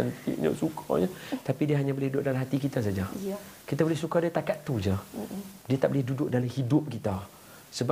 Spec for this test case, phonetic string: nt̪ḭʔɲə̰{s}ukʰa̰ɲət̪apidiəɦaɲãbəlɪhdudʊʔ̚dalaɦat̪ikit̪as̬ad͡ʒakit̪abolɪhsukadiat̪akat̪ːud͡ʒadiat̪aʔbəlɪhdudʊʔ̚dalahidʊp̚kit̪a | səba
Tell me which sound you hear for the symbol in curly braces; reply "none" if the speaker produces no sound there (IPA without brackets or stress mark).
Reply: s